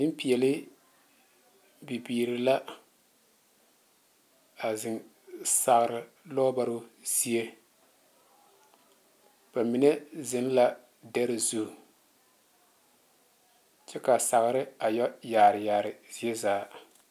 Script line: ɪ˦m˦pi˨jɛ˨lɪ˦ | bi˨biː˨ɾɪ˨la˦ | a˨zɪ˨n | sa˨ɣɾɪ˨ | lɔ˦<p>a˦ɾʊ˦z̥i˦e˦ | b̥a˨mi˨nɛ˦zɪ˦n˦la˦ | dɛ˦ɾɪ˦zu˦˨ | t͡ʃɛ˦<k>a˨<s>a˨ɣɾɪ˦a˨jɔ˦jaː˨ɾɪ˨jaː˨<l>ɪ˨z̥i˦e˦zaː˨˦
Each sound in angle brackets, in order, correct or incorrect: incorrect: b, correct, correct, incorrect: ɾ

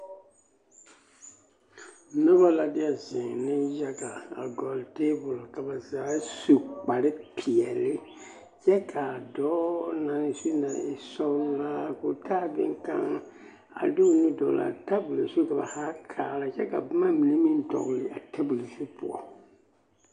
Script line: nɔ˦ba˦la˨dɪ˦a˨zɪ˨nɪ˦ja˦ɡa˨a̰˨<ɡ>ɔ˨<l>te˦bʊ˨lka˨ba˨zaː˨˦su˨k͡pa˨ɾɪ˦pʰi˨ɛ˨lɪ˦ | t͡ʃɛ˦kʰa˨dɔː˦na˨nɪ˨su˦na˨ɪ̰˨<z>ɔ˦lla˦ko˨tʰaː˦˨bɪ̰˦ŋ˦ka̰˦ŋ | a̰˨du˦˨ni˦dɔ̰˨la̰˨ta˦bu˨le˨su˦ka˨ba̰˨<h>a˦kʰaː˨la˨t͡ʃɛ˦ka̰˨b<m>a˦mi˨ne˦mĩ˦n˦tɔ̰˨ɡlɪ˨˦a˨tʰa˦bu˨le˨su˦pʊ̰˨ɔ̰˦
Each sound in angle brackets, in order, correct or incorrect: correct, correct, incorrect: s, correct, correct

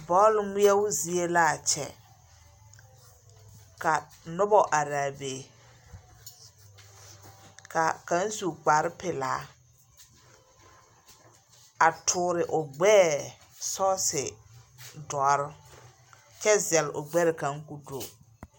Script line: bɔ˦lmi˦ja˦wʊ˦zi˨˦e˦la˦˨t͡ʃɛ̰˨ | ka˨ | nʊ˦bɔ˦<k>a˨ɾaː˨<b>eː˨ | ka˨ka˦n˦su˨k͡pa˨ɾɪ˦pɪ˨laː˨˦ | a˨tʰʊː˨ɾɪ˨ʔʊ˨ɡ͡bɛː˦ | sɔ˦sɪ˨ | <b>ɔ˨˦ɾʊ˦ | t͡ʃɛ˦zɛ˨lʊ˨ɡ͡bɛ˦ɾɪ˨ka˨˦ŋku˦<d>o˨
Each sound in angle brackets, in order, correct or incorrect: incorrect: ʔ, correct, incorrect: d, correct

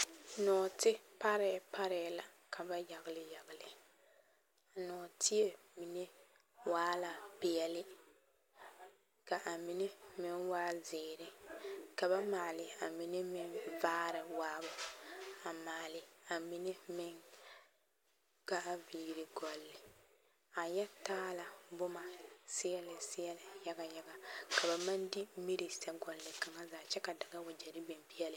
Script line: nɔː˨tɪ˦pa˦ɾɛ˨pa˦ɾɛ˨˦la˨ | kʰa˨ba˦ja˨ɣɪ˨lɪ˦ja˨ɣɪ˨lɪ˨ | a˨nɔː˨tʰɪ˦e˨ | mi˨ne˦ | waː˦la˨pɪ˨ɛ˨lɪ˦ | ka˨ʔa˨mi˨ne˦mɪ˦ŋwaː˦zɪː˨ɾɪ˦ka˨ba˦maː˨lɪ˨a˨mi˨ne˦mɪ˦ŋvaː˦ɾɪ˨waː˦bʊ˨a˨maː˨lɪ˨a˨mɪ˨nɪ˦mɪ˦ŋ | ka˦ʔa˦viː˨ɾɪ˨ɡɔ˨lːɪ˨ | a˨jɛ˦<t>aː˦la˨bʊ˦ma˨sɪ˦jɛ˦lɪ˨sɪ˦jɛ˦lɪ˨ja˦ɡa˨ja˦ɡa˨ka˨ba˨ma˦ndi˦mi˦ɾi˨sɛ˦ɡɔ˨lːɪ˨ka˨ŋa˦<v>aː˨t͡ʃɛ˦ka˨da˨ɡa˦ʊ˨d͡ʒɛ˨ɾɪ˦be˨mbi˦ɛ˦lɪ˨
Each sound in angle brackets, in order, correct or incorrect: correct, incorrect: z

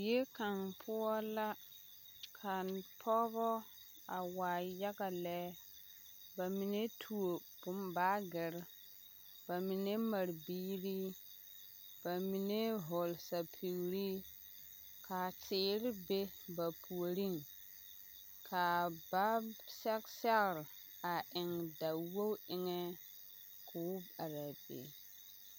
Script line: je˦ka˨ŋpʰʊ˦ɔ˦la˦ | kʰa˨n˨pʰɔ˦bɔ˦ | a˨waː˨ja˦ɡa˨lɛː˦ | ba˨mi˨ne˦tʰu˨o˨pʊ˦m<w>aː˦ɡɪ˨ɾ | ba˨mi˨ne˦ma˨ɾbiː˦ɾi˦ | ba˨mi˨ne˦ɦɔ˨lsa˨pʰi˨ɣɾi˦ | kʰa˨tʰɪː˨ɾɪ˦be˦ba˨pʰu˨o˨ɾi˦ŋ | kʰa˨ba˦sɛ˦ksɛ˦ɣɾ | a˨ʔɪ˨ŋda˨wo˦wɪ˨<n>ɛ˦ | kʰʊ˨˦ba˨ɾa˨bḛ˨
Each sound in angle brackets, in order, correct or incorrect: incorrect: b, incorrect: ŋ

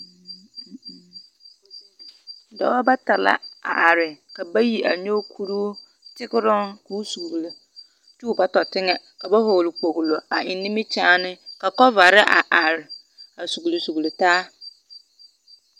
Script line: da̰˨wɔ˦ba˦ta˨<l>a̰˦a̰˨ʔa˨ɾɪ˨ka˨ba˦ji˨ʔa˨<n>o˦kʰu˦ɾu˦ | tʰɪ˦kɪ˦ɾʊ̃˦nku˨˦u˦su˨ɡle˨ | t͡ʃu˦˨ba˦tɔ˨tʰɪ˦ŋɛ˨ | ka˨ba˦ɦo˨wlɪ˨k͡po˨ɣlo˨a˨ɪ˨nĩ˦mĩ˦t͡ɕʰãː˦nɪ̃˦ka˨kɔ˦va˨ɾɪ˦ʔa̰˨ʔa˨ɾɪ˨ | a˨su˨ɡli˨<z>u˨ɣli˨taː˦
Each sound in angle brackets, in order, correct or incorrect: correct, incorrect: ɲ, incorrect: s

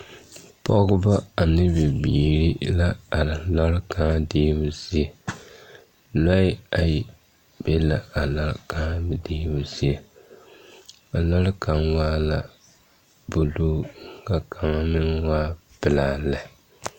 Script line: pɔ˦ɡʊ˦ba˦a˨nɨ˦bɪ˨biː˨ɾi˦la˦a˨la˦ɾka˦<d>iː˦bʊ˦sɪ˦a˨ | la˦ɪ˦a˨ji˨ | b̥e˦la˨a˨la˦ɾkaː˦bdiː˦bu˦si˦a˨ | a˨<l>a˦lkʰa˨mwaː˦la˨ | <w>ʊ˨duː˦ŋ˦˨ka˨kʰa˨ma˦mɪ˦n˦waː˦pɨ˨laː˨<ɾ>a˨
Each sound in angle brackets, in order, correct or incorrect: correct, correct, incorrect: b, incorrect: l

